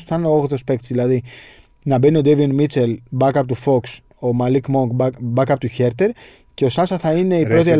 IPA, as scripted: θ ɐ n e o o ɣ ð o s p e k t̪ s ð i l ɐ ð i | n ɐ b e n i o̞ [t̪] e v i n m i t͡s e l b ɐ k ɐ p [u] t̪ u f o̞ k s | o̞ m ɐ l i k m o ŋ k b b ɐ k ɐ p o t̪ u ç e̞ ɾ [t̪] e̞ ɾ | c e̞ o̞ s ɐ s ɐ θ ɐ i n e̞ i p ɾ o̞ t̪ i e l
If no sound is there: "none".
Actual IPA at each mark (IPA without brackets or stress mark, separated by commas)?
d̪, o, t̪